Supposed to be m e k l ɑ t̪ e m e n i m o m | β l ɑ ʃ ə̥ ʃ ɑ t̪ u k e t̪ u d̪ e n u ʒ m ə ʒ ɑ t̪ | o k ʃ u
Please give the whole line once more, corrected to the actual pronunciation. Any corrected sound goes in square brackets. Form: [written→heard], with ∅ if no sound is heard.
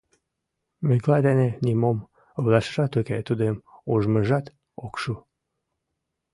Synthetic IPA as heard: m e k l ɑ [t̪→d̪] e [m→n] e n i m o m | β l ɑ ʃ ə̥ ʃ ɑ t̪ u k e t̪ u d̪ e [n→m] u ʒ m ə ʒ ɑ t̪ | o k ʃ u